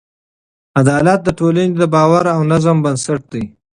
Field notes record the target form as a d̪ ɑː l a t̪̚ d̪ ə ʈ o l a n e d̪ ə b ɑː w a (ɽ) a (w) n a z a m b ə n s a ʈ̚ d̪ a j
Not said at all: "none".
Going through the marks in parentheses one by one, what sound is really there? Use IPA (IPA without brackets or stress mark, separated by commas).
ɾ, w